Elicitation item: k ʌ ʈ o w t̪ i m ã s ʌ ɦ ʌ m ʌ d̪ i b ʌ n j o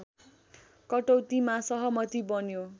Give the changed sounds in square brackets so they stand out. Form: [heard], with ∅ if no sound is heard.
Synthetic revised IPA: k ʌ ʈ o w t̪ i m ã s ʌ ɦ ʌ m ʌ [t̪] i b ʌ n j o